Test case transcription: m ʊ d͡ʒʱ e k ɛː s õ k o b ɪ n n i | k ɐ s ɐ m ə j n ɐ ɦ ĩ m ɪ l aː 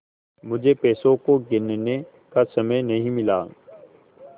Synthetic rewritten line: m ʊ d͡ʒʱ e p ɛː s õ k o ɡ ɪ n n e | k a s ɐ m ə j n ɐ ɦ ĩ m ɪ l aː